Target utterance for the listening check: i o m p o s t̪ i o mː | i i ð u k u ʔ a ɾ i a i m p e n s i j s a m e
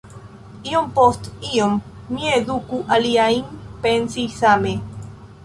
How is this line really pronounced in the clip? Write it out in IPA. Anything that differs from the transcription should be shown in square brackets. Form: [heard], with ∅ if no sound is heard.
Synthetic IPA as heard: i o m p o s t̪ i o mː | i [e] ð u k u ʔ a [l] i a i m p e n s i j s a m e

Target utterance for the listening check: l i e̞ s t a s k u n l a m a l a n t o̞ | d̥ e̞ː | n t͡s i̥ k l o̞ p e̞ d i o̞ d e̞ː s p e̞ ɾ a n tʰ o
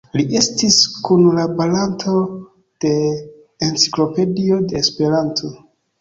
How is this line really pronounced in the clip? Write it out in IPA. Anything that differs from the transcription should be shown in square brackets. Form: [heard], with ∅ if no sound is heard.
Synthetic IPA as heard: l i e̞ s t [i] s k u n l a [b] a l a n t o̞ | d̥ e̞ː | n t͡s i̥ k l o̞ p e̞ d i o̞ d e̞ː s p e̞ ɾ a n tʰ o

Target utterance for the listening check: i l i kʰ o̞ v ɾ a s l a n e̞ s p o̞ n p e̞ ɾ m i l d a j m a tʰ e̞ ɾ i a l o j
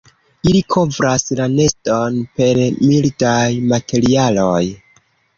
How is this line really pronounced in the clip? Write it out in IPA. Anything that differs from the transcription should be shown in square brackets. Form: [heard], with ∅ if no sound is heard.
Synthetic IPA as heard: i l i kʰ o̞ v ɾ a s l a n e̞ s [t] o̞ n p e̞ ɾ m i l d a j m a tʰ e̞ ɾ i a l o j

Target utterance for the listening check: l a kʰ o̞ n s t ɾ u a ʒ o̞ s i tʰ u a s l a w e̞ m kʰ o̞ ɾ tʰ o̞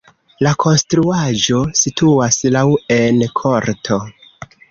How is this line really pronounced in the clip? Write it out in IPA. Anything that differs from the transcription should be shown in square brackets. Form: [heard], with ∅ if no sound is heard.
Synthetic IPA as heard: l a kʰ o̞ n s t ɾ u a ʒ o̞ s i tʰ u a s l a w e̞ [n] kʰ o̞ ɾ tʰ o̞

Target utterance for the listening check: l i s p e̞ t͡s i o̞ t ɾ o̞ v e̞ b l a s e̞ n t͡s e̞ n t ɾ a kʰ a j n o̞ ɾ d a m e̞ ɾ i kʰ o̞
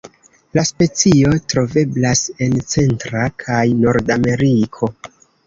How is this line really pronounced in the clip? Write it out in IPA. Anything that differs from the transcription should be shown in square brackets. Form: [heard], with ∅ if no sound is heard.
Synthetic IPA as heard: l [a] s p e̞ t͡s i o̞ t ɾ o̞ v e̞ b l a s e̞ n t͡s e̞ n t ɾ a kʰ a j n o̞ ɾ d a m e̞ ɾ i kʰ o̞

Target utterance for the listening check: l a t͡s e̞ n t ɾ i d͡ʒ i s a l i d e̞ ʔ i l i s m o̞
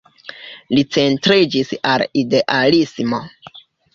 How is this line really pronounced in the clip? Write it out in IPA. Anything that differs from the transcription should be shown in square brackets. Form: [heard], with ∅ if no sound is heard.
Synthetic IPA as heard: l [i] t͡s e̞ n t ɾ i d͡ʒ i s a l i d e̞ ʔ [a] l i s m o̞

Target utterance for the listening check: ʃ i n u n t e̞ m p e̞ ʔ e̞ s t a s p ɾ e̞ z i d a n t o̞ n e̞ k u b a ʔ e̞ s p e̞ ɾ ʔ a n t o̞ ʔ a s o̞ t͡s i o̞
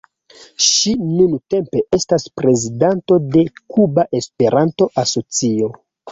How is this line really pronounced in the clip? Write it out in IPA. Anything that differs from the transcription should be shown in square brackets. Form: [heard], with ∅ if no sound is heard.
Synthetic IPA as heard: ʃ i n u n t e̞ m p e̞ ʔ e̞ s t a s p ɾ e̞ z i d a n t o̞ [d] e̞ k u b a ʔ e̞ s p e̞ ɾ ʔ a n t o̞ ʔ a s o̞ t͡s i o̞

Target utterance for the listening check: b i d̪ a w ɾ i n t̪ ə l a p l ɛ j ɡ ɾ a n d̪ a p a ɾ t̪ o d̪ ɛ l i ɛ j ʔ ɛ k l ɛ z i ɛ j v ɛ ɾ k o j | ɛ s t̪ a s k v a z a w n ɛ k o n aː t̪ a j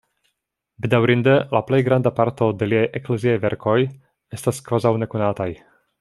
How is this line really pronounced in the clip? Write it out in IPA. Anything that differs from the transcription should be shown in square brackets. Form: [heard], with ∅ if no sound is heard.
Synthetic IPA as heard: b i d̪ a w ɾ i n [d̪] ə l a p l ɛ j ɡ ɾ a n d̪ a p a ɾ t̪ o d̪ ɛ l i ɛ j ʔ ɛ k l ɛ z i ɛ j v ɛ ɾ k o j | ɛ s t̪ a s k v a z a w n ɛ k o n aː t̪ a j

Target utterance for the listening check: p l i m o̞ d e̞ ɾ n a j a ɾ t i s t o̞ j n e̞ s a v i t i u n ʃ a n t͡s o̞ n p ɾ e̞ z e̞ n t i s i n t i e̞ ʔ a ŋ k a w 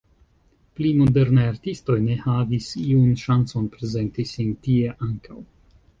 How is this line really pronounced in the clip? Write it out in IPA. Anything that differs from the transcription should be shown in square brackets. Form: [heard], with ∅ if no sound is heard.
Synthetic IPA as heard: p l i m o̞ d e̞ ɾ n a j a ɾ t i s t o̞ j n e̞ [h] a v i [s] i u n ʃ a n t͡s o̞ n p ɾ e̞ z e̞ n t i s i n t i e̞ ʔ a ŋ k a w

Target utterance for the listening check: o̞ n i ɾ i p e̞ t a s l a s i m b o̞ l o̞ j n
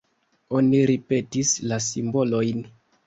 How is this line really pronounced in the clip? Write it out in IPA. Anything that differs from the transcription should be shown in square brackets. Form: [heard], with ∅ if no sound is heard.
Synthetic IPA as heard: o̞ n i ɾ i p e̞ t [i] s l a s i m b o̞ l o̞ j n

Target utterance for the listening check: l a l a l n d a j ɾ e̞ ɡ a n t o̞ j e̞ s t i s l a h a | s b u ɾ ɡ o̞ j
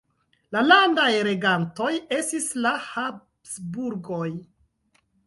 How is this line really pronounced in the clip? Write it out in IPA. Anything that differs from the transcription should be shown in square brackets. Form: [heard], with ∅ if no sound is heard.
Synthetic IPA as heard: l a l a [∅] n d a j ɾ e̞ ɡ a n t o̞ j e̞ s t i s l a h a | s b u ɾ ɡ o̞ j

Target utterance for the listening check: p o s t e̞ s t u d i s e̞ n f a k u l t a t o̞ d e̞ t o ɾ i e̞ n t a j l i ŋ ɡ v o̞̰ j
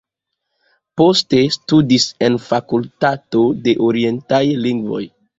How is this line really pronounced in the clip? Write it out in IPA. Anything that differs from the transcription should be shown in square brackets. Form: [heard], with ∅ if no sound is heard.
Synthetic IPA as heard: p o s t e̞ s t u d i s e̞ n f a k u l t a t o̞ d e̞ [ʔ] o ɾ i e̞ n t a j l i ŋ ɡ v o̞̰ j

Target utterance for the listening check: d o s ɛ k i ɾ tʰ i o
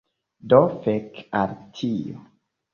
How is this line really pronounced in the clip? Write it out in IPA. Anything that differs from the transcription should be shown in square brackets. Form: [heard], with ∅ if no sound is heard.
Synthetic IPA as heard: d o [f] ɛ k [a] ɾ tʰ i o

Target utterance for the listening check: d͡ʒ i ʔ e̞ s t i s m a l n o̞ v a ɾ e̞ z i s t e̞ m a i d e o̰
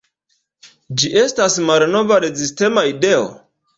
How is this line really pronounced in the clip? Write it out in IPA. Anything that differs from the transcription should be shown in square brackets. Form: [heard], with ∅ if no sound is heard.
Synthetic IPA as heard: d͡ʒ i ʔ e̞ s t [a] s m a l n o̞ v a ɾ e̞ z i s t e̞ m a i d e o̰

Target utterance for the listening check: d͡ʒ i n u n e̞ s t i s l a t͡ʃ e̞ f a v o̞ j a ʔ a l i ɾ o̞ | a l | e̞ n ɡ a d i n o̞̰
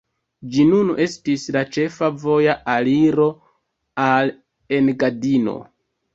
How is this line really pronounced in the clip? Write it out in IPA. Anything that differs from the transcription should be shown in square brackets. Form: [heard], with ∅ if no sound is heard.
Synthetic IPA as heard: d͡ʒ i n u n e̞ s t i s l a t͡ʃ e̞ f a v o̞ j a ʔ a l i ɾ o̞ | a l | e̞ n ɡ a d i n o̞̰

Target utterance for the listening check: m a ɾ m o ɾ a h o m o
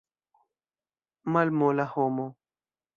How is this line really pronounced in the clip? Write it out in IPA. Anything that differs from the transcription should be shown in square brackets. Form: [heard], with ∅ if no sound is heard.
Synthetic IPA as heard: m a [l] m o [l] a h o m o

